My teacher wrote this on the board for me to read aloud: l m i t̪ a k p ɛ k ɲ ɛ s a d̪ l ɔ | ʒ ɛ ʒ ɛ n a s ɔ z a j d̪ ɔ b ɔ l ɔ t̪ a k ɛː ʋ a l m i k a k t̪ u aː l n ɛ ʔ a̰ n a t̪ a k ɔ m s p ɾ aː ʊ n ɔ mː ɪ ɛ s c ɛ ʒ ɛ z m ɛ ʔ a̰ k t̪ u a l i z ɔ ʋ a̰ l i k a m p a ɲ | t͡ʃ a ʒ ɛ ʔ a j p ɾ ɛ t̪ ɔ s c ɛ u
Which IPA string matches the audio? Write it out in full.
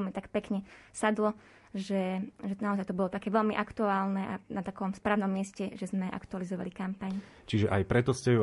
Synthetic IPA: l m i t̪ a k p ɛ k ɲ ɛ s a d̪ l ɔ | ʒ ɛ ʒ ɛ n a ɔ z a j t̪ ɔ b ɔ l ɔ t̪ a k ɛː ʋ ɛ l m i ʔ a k t̪ u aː l n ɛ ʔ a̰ n a t̪ a k ɔ m s p ɾ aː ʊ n ɔ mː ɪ ɛ s c ɛ ʒ ɛ z m ɛ ʔ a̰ k t̪ u a l i z ɔ ʋ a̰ l i k a m p a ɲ | t͡ʃ i ʒ ɛ ʔ a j p ɾ ɛ t̪ ɔ s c ɛ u